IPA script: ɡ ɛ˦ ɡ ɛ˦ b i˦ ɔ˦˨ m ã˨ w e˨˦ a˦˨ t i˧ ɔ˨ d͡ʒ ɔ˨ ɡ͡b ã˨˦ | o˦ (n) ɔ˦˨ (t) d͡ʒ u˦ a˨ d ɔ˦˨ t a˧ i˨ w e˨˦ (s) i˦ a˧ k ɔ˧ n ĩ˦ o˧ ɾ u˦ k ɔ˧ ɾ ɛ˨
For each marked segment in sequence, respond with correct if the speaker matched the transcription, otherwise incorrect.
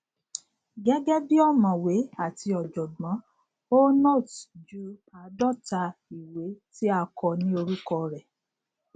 correct, correct, incorrect: t

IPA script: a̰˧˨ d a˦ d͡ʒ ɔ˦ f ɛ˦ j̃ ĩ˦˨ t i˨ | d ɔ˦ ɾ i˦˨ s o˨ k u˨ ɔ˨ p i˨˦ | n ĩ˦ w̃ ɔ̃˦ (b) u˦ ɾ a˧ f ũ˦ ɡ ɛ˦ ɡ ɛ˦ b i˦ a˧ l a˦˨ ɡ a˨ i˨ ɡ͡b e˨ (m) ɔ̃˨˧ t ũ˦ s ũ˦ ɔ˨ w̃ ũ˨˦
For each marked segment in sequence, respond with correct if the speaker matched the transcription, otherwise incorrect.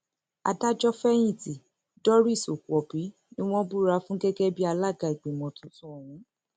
correct, correct

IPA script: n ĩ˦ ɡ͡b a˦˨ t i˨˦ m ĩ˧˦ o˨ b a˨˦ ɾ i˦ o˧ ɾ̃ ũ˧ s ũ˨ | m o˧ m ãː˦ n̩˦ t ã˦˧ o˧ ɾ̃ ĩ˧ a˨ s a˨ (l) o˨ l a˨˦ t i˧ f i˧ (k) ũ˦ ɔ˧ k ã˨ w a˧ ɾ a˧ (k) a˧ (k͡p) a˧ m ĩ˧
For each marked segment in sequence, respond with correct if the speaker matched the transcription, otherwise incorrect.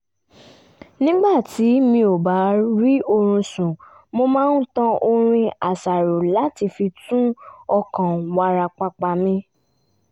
incorrect: ɾ, incorrect: t, incorrect: k͡p, correct

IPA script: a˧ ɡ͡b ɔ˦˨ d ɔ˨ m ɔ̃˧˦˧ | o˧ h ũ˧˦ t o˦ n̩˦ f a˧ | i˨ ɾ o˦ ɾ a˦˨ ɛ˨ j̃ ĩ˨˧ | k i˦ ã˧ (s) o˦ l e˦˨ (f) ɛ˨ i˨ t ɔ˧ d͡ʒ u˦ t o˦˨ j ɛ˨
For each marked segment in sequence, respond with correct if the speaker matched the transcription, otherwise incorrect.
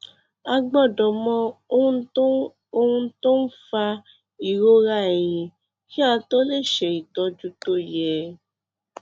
incorrect: t, incorrect: ʃ

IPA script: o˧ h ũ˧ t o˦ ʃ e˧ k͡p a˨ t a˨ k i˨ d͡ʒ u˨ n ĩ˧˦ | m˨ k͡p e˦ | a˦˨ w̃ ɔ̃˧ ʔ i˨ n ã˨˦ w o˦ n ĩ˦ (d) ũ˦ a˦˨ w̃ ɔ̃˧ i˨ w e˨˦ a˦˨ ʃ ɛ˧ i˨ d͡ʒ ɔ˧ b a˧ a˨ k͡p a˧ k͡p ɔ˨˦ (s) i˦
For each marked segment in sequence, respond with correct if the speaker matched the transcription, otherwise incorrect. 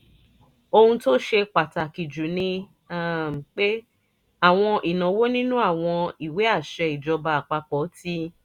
incorrect: n, incorrect: t

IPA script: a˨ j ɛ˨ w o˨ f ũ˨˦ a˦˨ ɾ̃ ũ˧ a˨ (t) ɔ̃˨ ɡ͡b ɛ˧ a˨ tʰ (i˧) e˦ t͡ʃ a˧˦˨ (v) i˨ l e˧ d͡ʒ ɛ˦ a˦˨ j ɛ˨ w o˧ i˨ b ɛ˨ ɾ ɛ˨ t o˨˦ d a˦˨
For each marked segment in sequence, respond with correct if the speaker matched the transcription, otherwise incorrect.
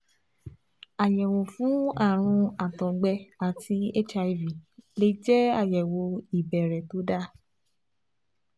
correct, correct, correct

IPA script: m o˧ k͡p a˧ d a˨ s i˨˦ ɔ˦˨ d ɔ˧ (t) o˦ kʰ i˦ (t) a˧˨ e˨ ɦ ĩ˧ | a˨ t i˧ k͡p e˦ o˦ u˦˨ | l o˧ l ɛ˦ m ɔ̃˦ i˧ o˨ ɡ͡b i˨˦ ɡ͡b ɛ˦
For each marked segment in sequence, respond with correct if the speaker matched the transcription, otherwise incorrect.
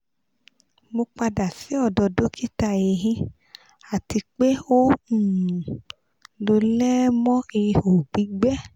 incorrect: d, correct

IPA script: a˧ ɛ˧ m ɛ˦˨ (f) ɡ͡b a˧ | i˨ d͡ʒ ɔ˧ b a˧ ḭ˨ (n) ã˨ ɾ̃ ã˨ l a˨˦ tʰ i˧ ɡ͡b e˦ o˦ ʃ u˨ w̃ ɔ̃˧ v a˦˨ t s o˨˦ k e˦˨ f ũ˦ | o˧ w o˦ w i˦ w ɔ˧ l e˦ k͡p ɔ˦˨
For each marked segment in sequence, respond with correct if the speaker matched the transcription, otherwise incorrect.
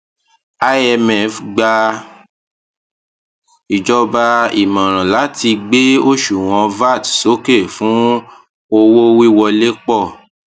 correct, incorrect: m

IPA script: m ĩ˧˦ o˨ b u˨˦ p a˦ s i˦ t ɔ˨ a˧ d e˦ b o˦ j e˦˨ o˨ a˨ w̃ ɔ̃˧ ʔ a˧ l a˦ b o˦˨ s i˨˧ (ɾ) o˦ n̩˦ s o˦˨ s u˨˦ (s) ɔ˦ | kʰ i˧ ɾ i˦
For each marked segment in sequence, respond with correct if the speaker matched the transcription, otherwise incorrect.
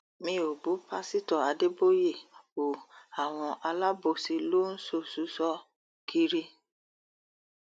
incorrect: l, correct

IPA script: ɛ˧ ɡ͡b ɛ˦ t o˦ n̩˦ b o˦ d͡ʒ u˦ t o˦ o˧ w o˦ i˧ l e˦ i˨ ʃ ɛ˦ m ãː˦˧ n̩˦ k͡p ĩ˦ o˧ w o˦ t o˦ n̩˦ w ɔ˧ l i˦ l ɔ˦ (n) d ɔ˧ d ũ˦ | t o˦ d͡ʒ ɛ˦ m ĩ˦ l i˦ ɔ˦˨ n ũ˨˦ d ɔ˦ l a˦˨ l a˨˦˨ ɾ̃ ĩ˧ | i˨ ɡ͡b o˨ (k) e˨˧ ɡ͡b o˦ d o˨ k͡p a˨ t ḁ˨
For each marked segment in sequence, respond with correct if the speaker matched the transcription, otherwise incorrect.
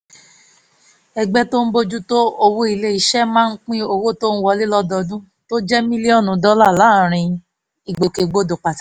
incorrect: none, correct

